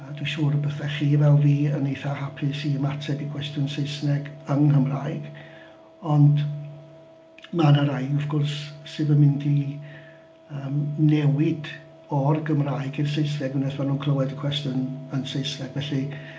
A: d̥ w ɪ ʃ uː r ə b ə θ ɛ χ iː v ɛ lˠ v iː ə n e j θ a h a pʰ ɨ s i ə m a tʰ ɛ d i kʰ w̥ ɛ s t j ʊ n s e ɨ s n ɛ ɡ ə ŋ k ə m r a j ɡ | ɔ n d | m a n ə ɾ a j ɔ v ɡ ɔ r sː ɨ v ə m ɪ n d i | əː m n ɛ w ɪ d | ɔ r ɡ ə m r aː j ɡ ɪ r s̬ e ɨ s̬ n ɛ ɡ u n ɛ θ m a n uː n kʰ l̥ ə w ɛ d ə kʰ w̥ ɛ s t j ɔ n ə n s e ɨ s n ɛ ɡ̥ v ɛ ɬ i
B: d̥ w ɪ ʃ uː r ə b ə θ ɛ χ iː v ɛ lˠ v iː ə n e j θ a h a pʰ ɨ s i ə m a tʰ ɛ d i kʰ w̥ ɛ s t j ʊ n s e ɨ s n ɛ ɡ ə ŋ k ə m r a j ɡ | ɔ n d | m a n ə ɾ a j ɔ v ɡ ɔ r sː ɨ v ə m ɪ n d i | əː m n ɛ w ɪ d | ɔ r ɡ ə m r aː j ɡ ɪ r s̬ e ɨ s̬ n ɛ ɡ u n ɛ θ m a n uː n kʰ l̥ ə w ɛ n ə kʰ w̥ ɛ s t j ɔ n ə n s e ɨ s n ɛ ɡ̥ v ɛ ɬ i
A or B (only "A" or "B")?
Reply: A